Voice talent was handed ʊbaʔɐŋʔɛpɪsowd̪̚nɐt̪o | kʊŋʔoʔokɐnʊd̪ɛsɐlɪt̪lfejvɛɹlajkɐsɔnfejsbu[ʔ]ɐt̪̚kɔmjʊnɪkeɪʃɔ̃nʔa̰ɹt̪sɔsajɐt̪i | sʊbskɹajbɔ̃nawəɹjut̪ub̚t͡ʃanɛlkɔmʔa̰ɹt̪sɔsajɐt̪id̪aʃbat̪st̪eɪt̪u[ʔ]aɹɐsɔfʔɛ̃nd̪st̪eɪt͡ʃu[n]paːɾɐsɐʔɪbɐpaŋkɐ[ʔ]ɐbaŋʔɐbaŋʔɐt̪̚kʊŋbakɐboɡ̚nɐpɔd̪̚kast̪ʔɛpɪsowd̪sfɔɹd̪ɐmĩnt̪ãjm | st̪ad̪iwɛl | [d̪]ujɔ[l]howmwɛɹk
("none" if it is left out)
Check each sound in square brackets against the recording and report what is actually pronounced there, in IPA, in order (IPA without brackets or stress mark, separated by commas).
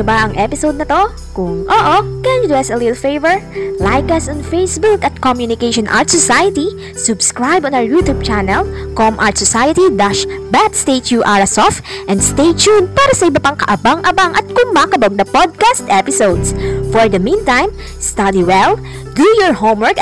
k, ʔ, n, ʔ, d̪, ɹ